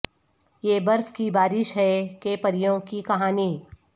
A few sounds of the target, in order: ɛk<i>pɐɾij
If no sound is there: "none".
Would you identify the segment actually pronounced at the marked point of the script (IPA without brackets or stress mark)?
e